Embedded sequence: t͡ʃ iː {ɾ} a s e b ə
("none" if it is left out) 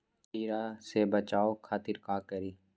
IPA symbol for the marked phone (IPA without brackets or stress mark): ɾ